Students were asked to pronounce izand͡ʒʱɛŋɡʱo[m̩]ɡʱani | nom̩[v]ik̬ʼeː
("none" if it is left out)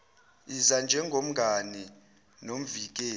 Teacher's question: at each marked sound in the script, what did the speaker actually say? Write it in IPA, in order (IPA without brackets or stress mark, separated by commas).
m̩, v